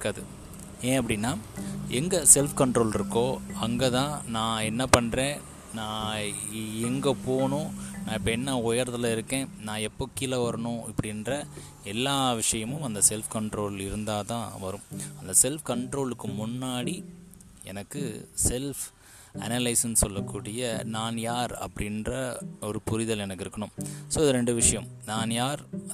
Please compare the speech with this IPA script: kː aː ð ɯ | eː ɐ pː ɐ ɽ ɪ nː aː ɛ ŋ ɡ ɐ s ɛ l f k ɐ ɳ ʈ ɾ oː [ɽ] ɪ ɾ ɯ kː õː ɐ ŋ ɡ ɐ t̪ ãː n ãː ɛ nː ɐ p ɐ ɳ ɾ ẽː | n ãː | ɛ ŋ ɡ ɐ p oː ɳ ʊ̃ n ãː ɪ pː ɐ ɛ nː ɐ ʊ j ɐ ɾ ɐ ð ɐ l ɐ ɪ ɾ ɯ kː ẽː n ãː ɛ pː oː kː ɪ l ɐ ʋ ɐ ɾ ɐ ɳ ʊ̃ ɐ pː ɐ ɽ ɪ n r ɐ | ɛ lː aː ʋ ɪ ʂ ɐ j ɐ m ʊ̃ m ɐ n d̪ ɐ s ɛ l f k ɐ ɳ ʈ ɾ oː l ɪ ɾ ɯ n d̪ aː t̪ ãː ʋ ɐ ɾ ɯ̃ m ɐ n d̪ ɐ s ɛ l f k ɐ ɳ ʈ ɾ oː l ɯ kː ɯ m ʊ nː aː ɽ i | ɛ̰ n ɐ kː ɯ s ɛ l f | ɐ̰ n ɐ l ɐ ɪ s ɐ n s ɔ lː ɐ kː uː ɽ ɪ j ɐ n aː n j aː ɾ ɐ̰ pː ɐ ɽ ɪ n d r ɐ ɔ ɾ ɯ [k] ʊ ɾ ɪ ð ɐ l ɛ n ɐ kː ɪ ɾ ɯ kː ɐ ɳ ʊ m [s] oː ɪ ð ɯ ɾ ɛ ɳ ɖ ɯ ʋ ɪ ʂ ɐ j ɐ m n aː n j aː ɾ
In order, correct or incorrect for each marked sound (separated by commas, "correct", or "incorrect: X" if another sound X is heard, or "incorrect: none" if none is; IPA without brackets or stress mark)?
incorrect: l, incorrect: p, correct